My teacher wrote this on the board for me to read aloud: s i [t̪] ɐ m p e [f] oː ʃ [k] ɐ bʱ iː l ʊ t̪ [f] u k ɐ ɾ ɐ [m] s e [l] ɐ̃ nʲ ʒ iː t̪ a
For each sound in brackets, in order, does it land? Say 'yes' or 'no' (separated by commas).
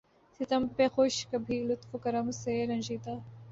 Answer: yes, no, yes, yes, yes, no